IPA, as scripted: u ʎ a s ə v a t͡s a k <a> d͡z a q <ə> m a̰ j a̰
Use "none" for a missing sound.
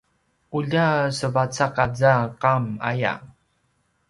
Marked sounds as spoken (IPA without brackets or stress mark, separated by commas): a, a